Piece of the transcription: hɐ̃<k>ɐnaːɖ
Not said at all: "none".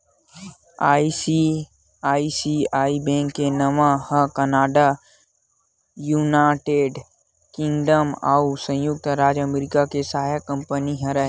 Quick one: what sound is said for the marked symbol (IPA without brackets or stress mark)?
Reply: k